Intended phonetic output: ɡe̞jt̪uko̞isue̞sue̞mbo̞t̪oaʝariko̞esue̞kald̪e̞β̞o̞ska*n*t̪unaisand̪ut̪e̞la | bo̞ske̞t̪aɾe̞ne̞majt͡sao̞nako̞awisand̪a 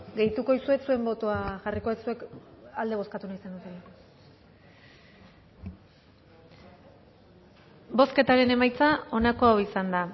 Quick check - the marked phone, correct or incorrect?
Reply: incorrect